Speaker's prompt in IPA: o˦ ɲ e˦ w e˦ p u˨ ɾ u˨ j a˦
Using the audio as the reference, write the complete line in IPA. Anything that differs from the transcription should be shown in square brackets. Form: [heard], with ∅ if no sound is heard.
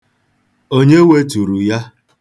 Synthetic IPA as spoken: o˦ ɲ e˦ w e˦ [t] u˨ ɾ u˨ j a˦